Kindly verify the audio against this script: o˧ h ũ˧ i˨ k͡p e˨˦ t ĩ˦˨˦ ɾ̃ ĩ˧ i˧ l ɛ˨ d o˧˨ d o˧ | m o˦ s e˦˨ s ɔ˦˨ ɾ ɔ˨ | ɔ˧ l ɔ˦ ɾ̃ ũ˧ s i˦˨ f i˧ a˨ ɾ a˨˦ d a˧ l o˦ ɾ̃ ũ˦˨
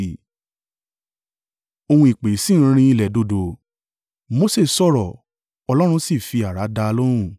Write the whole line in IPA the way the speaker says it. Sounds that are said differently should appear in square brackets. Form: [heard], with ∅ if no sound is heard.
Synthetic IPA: o˧ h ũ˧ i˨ k͡p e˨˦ [s] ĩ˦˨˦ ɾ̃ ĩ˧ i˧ l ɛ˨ d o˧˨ d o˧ | m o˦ s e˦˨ s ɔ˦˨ ɾ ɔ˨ | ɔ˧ l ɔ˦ ɾ̃ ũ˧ s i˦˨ f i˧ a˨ ɾ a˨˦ d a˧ l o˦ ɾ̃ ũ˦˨